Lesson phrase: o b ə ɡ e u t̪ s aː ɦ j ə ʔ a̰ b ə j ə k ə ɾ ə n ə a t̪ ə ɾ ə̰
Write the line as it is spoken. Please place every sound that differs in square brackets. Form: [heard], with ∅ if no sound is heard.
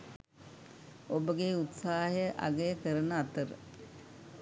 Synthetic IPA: o b ə ɡ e u t̪ s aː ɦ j ə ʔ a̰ [ɡ] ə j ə k ə ɾ ə n ə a t̪ ə ɾ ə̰